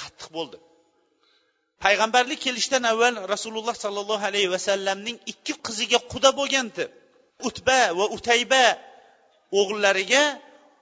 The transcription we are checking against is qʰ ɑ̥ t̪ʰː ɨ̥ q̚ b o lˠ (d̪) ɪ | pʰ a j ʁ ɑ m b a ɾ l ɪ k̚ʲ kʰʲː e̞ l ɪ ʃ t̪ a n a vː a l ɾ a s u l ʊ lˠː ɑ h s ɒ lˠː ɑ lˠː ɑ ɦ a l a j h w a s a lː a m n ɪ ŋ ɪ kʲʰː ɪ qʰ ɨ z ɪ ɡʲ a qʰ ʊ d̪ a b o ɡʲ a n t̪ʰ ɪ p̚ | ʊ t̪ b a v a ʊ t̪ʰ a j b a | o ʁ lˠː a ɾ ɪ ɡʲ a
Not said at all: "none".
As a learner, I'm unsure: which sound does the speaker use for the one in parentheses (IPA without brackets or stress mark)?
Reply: d̪